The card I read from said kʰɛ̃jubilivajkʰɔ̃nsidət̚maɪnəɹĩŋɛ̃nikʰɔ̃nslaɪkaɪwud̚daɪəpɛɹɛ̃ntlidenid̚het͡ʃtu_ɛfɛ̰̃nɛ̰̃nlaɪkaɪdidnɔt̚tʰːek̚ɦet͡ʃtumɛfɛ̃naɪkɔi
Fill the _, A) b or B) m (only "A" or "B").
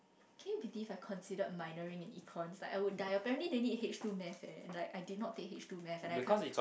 B